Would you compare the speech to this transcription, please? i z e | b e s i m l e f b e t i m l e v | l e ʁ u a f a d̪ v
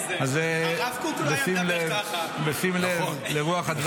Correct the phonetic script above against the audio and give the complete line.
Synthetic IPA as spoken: a z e | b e s i m l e v b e s i m l e v | l e ʁ u a χ a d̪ v